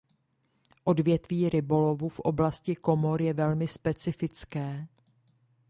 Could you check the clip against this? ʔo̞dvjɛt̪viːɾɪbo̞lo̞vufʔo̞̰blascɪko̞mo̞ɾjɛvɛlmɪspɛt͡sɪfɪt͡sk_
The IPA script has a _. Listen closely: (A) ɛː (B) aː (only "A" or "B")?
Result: A